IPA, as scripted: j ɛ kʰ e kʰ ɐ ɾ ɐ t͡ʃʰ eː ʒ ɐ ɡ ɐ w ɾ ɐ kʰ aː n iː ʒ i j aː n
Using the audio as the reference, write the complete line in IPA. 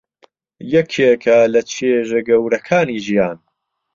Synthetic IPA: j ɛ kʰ e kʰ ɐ l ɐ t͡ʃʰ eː ʒ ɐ ɡ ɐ w ɾ ɐ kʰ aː n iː ʒ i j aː n